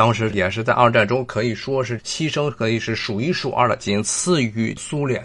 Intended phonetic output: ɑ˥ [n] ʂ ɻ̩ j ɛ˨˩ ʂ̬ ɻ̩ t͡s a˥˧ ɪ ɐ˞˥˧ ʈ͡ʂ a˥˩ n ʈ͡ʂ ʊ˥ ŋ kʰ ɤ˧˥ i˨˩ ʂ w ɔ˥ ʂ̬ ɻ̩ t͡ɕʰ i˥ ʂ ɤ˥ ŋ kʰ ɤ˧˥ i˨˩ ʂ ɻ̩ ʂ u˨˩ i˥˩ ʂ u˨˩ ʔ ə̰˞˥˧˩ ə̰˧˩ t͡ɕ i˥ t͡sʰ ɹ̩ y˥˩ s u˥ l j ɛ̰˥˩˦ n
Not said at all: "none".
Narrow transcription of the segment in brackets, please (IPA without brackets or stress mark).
ŋ